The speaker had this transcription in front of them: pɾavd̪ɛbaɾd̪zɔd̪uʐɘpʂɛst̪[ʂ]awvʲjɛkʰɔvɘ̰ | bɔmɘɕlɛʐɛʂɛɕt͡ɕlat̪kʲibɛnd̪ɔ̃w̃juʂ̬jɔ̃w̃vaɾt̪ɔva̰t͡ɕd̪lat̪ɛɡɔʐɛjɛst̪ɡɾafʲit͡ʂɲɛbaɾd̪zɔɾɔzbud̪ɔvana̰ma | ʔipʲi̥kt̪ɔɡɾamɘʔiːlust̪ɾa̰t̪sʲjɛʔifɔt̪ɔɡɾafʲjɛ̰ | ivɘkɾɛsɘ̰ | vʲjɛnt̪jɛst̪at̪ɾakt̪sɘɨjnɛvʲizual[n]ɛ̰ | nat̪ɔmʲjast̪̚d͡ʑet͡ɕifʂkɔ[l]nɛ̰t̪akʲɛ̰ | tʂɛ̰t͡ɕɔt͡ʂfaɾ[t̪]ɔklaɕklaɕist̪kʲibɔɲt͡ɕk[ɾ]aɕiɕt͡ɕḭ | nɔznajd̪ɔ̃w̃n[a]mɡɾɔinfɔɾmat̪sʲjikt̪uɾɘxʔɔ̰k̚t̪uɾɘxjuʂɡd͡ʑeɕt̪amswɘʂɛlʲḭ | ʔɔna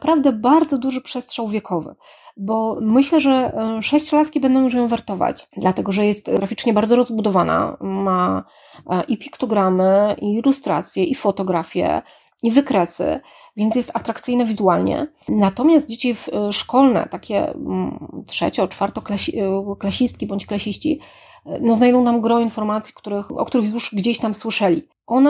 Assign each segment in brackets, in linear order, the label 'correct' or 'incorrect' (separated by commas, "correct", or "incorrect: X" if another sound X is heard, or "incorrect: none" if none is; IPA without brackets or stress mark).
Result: correct, incorrect: ɲ, correct, correct, incorrect: l, correct